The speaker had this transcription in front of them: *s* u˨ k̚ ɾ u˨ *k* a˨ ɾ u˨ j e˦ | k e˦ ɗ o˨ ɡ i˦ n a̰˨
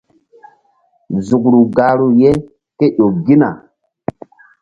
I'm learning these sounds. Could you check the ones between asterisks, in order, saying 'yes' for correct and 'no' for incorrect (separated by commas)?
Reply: no, no